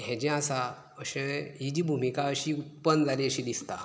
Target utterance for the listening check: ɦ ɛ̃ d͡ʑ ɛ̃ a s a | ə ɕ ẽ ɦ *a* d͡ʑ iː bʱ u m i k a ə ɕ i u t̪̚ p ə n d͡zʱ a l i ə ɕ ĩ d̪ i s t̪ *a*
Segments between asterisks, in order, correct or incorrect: incorrect: i, correct

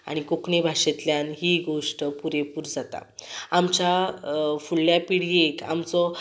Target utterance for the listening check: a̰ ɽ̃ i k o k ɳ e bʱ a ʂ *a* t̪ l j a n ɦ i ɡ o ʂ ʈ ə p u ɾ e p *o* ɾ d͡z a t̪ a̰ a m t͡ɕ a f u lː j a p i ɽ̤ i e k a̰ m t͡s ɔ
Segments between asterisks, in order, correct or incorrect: incorrect: e, incorrect: u

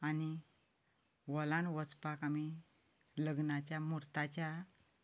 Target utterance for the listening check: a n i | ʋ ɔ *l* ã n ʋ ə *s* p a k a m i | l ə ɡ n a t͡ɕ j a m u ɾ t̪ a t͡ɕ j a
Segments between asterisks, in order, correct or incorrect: correct, incorrect: t͡s

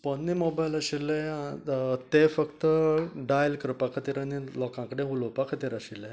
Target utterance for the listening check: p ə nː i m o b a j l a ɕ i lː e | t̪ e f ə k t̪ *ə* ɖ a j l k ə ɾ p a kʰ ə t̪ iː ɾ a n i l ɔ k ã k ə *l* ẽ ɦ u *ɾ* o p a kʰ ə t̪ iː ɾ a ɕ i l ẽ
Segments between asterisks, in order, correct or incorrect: correct, incorrect: ɽ, incorrect: l

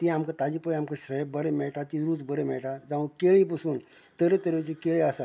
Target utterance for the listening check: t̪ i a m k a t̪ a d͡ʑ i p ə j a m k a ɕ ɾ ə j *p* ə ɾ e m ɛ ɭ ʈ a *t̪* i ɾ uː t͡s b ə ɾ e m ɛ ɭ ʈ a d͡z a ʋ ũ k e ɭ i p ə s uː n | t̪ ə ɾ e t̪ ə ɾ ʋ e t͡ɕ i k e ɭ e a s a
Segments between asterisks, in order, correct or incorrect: incorrect: b, correct

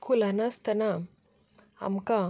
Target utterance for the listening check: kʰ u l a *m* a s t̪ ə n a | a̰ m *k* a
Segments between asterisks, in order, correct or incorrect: incorrect: n, correct

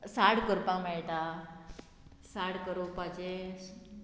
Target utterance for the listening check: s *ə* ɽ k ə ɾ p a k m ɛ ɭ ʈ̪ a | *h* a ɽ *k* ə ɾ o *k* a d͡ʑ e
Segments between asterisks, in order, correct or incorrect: incorrect: a, incorrect: s, correct, incorrect: p

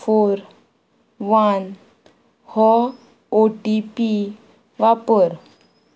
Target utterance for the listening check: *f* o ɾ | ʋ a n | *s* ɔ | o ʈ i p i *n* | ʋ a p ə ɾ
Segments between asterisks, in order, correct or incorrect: correct, incorrect: h, incorrect: none

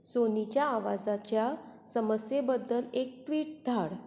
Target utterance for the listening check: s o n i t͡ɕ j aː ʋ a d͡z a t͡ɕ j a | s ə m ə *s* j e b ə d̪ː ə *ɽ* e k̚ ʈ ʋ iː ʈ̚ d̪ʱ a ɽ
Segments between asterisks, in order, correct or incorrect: correct, incorrect: l

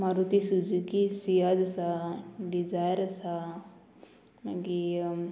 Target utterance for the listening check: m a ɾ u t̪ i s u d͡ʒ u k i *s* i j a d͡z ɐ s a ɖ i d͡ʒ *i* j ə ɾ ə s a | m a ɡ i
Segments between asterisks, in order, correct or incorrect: correct, incorrect: a

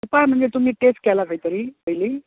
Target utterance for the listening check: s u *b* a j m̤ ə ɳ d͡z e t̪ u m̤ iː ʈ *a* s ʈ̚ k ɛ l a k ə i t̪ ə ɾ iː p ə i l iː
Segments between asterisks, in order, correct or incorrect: incorrect: p, incorrect: e

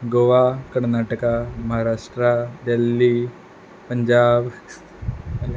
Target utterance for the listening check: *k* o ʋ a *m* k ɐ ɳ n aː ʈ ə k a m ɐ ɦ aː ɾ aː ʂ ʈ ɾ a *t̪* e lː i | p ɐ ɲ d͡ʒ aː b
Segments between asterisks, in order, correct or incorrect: incorrect: ɡ, incorrect: none, incorrect: d̪

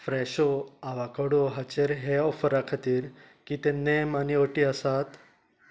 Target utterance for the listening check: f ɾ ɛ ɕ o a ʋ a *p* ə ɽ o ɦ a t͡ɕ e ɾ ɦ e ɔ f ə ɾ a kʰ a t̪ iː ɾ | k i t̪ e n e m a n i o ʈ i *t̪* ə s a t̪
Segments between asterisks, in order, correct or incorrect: incorrect: k, incorrect: none

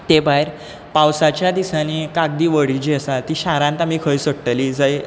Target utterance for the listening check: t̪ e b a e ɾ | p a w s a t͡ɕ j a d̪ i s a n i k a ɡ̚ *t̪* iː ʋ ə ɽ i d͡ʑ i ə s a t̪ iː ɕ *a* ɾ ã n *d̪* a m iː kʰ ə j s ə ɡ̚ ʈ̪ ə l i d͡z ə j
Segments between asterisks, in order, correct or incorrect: incorrect: d̪, correct, incorrect: t̪

